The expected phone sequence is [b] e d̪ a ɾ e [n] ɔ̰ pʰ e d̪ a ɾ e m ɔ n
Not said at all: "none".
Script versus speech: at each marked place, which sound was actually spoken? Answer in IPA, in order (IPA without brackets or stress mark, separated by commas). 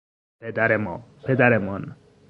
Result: p, m